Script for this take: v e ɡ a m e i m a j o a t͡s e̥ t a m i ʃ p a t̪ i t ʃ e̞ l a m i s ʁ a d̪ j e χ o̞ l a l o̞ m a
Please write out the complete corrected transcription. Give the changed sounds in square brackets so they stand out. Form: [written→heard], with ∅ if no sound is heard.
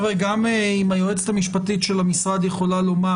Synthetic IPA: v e ɡ a m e i m a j o [a→e] t͡s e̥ t a m i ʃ p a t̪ i t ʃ e̞ l a m i s ʁ a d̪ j e χ o̞ l a l o̞ m a